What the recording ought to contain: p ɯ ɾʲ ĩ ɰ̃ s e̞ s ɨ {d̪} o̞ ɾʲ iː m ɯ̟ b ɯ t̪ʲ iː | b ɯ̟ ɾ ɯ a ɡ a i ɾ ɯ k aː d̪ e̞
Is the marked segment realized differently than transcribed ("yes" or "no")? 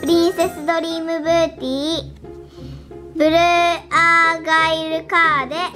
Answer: no